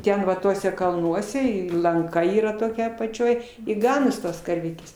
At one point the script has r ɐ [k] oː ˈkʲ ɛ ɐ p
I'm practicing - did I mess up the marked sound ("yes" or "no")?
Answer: yes